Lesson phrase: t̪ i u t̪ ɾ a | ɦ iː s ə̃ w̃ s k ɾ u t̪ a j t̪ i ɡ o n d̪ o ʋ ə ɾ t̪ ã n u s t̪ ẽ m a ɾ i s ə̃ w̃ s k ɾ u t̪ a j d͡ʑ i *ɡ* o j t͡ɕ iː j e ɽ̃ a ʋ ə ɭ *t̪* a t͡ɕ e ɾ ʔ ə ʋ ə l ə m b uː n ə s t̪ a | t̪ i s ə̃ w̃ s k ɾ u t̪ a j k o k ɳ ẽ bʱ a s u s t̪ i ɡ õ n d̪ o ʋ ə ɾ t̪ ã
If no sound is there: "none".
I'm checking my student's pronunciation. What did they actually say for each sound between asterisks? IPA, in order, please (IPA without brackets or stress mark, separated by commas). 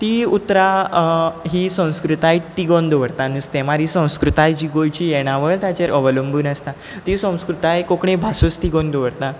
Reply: ɡ, t̪